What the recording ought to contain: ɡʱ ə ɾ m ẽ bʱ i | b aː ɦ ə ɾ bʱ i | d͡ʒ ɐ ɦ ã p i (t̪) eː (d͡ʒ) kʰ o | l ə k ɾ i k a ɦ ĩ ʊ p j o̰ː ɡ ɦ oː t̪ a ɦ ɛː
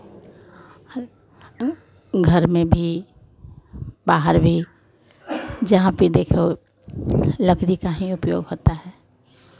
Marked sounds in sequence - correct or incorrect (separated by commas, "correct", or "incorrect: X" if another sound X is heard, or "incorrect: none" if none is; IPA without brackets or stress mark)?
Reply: incorrect: d̪, incorrect: none